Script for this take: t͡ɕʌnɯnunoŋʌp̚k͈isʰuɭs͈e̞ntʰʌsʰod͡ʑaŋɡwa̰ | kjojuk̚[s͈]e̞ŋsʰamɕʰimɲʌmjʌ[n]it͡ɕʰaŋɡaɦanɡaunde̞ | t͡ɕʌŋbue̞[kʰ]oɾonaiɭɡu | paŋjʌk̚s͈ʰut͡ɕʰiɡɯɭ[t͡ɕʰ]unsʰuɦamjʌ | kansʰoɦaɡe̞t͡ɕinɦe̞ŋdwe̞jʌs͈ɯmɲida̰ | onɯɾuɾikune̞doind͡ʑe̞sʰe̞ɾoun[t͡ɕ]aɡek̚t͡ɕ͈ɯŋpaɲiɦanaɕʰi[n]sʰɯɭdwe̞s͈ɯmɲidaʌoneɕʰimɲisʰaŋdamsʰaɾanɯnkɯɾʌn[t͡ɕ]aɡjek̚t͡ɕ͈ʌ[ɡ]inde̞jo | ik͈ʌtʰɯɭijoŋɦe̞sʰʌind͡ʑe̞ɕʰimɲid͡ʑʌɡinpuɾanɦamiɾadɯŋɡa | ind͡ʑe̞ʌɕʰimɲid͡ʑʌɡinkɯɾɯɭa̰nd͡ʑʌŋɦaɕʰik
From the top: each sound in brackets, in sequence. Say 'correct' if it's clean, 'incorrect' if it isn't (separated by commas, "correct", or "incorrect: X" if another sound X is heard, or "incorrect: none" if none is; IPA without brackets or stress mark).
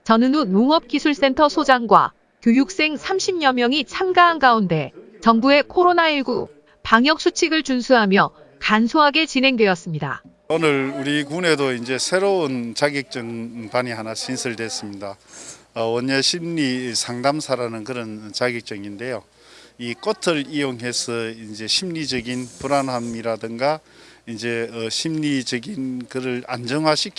correct, incorrect: ŋ, correct, incorrect: t͡ɕ, correct, correct, correct, incorrect: ŋ